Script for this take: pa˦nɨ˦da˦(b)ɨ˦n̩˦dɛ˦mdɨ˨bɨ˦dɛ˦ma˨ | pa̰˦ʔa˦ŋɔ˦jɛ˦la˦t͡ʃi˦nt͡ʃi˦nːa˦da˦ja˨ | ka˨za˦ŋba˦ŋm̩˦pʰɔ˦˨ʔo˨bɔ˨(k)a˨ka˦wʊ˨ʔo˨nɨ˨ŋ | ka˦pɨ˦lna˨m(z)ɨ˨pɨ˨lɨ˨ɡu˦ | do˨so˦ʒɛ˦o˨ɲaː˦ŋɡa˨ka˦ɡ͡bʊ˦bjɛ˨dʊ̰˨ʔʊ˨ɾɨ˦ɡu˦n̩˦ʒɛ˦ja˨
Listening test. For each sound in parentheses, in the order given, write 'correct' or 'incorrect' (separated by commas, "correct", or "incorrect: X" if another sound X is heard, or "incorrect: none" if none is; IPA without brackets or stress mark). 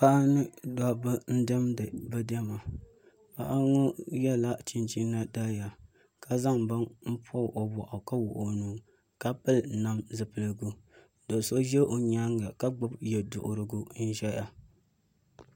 correct, incorrect: ʔ, correct